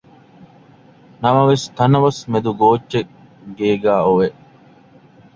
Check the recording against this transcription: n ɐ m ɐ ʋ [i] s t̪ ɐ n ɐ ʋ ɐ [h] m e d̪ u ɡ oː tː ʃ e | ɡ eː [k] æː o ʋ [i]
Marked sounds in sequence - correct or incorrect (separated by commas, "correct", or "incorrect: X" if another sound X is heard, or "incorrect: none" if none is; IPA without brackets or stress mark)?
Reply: incorrect: e, incorrect: s, incorrect: ɡ, incorrect: e